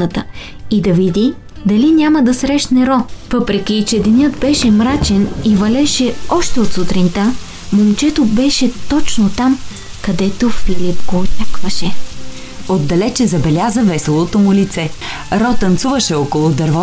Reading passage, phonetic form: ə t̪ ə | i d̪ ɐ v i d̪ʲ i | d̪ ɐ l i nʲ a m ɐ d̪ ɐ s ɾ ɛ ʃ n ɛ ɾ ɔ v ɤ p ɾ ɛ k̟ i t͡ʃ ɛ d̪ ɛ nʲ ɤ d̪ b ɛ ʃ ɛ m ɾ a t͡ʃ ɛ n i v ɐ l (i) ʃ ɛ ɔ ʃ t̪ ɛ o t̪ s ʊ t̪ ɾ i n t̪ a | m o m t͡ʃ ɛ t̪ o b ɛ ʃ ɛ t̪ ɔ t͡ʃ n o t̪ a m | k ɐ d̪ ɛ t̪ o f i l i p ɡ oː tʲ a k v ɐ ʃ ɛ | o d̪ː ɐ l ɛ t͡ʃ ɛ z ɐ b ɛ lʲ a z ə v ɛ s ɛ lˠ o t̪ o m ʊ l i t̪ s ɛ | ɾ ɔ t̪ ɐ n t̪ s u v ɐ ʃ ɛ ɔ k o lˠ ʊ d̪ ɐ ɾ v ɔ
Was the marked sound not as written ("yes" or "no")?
yes